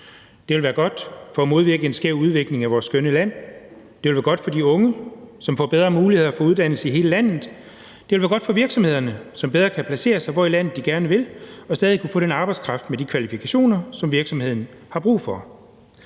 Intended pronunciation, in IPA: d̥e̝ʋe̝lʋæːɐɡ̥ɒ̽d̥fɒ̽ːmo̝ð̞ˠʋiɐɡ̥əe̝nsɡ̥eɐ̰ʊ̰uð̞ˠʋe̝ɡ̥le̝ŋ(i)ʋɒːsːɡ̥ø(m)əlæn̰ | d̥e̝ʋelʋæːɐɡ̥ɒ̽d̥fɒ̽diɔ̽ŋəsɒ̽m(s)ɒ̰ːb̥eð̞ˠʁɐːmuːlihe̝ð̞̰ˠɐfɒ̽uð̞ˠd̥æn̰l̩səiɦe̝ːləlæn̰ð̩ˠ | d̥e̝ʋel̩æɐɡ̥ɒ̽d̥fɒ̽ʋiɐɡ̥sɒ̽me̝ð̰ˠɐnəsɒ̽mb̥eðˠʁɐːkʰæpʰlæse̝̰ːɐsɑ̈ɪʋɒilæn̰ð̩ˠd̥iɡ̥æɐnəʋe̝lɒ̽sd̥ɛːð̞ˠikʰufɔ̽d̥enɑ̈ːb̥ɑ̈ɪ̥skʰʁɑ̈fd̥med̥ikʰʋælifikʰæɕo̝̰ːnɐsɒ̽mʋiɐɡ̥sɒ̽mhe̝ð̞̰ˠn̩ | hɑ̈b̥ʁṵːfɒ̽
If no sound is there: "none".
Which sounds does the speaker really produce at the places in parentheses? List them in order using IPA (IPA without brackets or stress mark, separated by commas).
æ, n, f